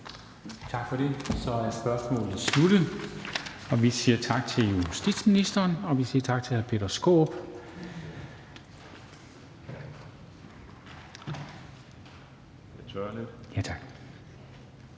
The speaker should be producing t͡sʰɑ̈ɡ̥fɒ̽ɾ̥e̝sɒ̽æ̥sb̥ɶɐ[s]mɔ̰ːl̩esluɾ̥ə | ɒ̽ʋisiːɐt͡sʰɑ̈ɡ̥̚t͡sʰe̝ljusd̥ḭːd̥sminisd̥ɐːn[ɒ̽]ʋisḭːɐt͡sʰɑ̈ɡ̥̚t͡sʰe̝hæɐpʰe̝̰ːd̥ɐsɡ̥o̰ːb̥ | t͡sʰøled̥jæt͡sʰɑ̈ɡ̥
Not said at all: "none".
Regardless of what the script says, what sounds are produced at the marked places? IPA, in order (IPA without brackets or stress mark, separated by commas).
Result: s, ɒ̽